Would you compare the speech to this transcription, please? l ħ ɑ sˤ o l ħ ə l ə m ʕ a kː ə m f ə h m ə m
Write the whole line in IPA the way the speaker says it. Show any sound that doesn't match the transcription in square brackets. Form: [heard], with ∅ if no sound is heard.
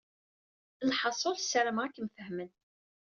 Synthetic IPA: l ħ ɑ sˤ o l [s] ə [ɾ] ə m [ʁ] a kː ə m f ə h m ə [n]